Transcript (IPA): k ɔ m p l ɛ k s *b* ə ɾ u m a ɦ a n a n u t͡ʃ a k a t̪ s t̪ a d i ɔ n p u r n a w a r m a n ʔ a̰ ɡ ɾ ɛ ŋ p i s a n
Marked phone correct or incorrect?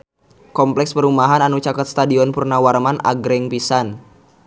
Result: incorrect